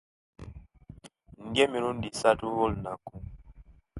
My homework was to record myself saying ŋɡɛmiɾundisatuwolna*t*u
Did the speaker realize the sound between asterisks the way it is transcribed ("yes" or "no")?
no